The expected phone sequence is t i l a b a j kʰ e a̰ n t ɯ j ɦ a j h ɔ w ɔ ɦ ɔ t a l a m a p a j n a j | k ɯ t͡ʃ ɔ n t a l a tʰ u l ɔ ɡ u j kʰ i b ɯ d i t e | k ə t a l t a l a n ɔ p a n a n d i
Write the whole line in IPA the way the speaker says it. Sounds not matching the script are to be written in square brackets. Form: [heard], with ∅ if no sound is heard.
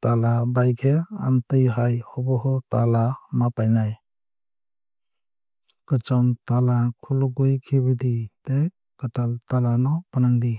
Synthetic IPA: t [a] l a b a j kʰ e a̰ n t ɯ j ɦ a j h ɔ [b] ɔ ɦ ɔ t a l a m a p a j n a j | k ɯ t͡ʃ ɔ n t a l a [kʰ] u l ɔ ɡ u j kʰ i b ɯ d i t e | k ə t a l t a l a n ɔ p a n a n d i